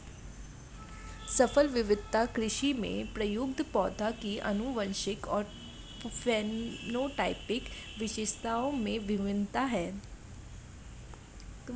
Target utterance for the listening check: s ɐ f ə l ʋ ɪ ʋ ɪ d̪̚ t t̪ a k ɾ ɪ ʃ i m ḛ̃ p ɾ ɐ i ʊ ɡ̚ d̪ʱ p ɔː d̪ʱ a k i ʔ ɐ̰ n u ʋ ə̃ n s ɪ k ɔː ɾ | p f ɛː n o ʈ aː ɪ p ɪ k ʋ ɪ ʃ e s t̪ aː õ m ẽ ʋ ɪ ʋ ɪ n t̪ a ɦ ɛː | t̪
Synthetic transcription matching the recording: s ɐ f ə l ʋ ɪ ʋ ɪ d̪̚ t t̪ a k ɾ ɪ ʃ i m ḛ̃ p ɾ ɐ j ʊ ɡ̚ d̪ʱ p ɔː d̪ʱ a k i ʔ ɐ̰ n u ʋ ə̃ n ʃ ɪ k ɔː ɾ | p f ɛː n o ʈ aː ɪ p ɪ k ʋ ɪ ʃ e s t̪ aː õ m ẽ ʋ ɪ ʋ ɪ n t̪ a ɦ ɛː | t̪